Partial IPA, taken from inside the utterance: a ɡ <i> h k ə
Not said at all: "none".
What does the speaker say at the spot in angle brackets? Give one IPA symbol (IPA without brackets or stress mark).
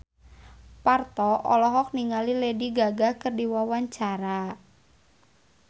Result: a